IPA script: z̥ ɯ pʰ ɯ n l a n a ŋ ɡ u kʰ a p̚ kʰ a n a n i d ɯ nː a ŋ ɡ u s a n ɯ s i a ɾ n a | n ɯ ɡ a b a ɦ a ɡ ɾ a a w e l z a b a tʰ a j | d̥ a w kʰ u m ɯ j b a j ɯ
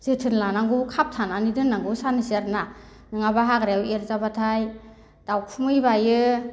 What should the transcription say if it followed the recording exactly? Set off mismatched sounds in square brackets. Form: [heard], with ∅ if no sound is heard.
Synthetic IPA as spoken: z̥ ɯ [tʰ] ɯ n l a n a ŋ ɡ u kʰ a p̚ [tʰ] a n a n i d ɯ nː a ŋ ɡ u s a n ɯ s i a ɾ n a | n ɯ [ŋ] a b a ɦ a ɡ ɾ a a w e l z a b a tʰ a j | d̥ a w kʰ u m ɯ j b a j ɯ

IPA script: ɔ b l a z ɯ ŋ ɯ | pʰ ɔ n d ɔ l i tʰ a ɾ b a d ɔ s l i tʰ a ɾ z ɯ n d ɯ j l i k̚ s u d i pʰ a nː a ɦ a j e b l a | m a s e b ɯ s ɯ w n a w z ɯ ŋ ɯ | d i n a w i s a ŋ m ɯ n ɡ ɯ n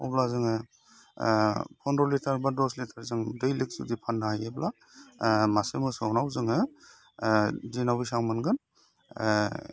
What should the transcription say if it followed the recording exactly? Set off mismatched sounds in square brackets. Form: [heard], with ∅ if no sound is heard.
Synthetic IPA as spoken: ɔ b l a z ɯ ŋ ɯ | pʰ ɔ n d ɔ l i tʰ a ɾ b a d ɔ s l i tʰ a ɾ z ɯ [ŋ] d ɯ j l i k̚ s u d i pʰ a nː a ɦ a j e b l a | m a s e [m] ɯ s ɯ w n a w z ɯ ŋ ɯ | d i n a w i s a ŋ m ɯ n ɡ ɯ n

